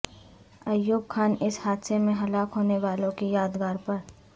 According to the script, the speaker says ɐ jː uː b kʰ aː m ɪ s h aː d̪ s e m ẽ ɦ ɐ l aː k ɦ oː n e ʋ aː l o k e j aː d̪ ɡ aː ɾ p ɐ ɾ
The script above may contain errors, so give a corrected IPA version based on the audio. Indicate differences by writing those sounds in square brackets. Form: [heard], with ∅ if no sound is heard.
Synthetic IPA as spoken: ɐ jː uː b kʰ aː [n] ɪ s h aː d̪ s e m ẽ ɦ ɐ l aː k ɦ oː n e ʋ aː l [õ] k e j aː d̪ ɡ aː ɾ p ɐ ɾ